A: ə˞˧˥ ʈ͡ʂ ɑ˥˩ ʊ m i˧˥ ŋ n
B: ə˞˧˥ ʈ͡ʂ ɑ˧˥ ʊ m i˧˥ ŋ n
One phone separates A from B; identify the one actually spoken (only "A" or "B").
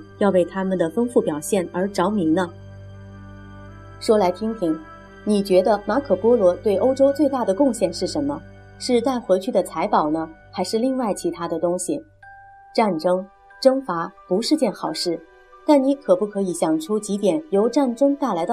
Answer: B